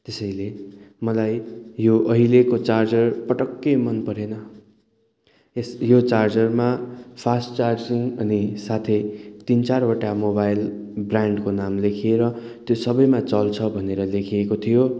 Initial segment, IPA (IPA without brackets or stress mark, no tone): t̪